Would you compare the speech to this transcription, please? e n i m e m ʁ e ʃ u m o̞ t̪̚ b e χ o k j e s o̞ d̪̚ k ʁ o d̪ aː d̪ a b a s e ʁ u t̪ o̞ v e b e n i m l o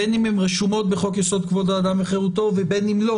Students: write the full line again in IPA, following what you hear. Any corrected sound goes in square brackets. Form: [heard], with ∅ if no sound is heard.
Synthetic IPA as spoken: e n i m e m ʁ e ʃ u m o̞ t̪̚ b e χ o k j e s o̞ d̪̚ k [v] o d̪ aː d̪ a [m] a [χ] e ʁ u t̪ o̞ v e b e n i m l o